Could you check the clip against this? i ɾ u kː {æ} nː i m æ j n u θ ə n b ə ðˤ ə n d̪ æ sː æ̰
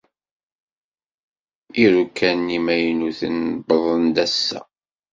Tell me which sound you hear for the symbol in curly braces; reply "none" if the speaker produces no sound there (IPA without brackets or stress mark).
æ